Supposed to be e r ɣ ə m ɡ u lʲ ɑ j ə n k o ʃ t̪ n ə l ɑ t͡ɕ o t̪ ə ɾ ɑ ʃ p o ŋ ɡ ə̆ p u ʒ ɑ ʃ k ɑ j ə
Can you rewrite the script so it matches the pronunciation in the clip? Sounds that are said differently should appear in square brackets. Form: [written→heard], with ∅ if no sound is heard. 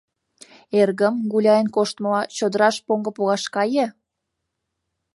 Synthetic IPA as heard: e r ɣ ə m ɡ u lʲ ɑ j ə n k o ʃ t̪ [n→m] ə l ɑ t͡ɕ o [t̪→d̪] ə ɾ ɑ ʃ p o ŋ ɡ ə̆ p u [ʒ→ɣ] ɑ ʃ k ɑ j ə